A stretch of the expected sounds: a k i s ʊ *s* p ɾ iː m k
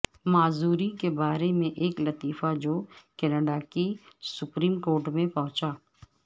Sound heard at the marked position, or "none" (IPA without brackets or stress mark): none